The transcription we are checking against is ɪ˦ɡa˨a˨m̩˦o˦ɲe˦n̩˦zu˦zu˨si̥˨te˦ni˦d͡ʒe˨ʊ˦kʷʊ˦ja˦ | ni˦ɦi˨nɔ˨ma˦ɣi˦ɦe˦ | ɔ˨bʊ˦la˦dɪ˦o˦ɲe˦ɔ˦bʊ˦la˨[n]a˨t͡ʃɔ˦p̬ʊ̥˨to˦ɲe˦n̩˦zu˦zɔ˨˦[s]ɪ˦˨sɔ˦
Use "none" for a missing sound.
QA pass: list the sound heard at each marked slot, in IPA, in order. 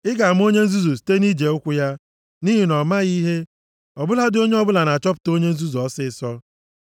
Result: n, s

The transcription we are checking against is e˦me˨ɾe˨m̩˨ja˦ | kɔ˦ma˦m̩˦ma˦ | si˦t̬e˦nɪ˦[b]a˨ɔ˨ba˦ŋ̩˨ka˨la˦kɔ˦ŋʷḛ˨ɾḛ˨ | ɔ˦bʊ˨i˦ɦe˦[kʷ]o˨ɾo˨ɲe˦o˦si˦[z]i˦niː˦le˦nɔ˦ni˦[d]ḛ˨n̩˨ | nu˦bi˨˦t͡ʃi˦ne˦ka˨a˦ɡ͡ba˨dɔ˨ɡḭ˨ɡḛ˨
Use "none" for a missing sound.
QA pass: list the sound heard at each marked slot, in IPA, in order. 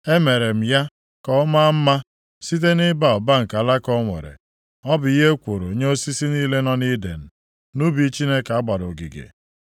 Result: b, kʷ, s, d

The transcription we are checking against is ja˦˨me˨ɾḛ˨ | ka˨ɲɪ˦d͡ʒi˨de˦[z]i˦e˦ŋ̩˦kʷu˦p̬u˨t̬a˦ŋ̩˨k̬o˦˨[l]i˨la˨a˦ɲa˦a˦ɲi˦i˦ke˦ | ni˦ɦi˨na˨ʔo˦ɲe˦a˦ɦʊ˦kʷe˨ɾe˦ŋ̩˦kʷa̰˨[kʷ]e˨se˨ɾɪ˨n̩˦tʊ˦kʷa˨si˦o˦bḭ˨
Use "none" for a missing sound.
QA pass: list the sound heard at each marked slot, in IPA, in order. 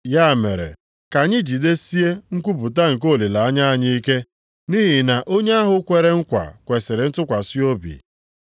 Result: s, l, kʷ

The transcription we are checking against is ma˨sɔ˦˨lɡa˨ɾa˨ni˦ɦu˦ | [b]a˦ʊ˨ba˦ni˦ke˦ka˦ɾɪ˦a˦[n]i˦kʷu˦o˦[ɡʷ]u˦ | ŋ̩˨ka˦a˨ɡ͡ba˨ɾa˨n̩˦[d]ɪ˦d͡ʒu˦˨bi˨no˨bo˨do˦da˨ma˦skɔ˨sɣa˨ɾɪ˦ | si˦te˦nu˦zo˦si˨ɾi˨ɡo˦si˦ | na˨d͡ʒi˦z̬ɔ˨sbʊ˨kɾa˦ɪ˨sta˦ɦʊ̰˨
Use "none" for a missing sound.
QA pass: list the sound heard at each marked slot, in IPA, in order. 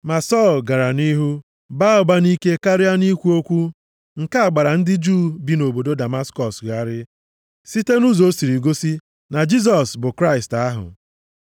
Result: b, n, kʷ, d

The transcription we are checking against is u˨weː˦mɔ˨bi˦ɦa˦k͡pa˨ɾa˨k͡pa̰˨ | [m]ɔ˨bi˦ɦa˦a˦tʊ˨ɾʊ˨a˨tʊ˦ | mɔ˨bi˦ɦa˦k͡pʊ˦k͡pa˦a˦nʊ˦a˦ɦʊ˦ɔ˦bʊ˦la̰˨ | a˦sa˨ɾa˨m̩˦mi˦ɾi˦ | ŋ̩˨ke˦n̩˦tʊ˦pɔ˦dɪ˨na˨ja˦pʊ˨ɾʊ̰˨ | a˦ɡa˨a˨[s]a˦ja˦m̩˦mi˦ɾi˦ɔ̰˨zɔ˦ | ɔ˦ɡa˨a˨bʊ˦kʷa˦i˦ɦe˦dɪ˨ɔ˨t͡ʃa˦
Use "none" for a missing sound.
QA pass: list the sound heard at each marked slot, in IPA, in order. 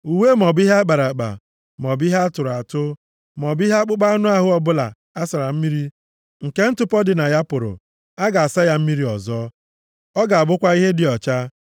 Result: m, s

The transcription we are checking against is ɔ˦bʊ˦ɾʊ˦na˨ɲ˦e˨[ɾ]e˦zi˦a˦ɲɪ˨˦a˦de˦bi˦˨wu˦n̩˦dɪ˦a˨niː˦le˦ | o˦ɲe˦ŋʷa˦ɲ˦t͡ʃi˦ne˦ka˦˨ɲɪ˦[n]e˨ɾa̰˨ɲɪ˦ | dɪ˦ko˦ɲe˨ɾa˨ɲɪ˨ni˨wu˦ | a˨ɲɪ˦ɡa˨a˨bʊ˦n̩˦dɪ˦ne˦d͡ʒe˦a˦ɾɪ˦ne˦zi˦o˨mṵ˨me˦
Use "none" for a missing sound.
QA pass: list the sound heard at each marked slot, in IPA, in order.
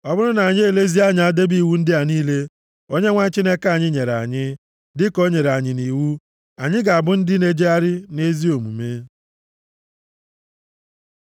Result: l, ɲ

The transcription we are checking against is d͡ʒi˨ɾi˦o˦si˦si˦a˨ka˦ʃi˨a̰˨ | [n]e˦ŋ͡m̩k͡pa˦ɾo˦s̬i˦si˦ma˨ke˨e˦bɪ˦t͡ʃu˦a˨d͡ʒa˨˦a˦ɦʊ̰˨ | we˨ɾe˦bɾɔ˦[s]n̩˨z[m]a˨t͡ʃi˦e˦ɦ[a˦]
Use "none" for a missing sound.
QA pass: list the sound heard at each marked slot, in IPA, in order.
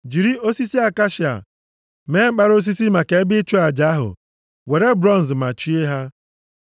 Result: m, none, m, a˦

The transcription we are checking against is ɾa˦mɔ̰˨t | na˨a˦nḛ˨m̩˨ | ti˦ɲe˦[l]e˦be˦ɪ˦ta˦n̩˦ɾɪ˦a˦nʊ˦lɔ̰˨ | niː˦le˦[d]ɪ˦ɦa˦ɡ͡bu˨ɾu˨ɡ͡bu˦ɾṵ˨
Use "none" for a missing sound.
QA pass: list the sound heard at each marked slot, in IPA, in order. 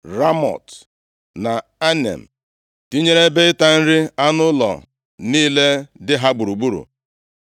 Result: ɾ, d

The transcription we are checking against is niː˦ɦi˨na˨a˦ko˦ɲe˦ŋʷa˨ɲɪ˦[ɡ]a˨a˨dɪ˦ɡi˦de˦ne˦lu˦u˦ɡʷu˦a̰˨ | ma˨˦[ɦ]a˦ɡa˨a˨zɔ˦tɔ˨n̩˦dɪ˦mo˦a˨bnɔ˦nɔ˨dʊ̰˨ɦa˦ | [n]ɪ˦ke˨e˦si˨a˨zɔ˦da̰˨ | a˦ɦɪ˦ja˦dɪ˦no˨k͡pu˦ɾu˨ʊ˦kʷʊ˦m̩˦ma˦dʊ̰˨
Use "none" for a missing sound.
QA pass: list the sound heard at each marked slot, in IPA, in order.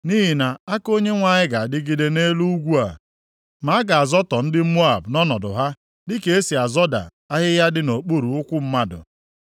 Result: ɡ, none, d

